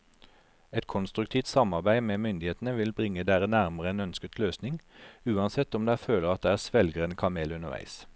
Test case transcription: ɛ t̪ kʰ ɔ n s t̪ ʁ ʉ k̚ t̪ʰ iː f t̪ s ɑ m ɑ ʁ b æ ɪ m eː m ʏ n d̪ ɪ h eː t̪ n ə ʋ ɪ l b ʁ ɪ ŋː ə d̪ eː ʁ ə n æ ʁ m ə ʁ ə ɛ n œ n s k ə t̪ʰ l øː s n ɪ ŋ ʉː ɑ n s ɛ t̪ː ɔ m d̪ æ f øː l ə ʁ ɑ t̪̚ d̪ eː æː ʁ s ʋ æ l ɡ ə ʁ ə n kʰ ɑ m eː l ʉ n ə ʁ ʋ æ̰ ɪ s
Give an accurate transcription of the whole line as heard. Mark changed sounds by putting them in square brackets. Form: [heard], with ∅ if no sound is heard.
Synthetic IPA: ɛ t̪ kʰ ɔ n s t̪ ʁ ʉ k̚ t̪ʰ iː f t̪ s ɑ m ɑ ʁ b æ ɪ m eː m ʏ n d̪ ɪ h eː t̪ n ə ʋ ɪ l b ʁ ɪ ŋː ə d̪ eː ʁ ə n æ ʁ m ə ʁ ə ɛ n œ n s k ə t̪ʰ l øː s n ɪ ŋ ʉː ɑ n s ɛ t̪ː ɔ m d̪ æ f øː l ə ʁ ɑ t̪̚ d̪ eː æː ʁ s ʋ [ɛ] l ɡ ə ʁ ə n kʰ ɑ m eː l ʉ n ə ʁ ʋ æ̰ ɪ s